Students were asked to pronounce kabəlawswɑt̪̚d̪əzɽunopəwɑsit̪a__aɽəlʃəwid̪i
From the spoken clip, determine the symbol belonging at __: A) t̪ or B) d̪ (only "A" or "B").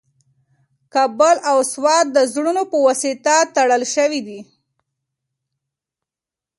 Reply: A